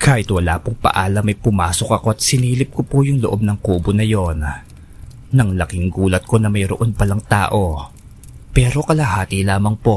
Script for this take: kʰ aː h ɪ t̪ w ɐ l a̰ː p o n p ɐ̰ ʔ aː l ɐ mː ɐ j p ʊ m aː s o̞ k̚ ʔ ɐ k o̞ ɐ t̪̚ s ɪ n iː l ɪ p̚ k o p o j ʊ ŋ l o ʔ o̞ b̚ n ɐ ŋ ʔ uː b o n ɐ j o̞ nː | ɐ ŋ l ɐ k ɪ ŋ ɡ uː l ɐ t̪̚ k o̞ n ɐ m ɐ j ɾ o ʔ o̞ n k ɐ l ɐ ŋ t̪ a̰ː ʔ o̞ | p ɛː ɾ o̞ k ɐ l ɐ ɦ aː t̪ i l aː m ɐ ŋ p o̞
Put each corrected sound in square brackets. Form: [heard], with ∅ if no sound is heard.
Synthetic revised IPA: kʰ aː h ɪ t̪ w ɐ l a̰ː p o [ŋ] p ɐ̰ ʔ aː l ɐ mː ɐ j p ʊ m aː s o̞ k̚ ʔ ɐ k o̞ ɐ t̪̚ s ɪ n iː l ɪ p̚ k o p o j ʊ ŋ l o ʔ o̞ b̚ n ɐ ŋ [k] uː b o n ɐ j o̞ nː | ɐ ŋ l ɐ k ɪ ŋ ɡ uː l ɐ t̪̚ k o̞ n ɐ m ɐ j ɾ o ʔ o̞ n [p] ɐ l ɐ ŋ t̪ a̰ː ʔ o̞ | p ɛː ɾ o̞ k ɐ l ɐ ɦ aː t̪ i l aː m ɐ ŋ p o̞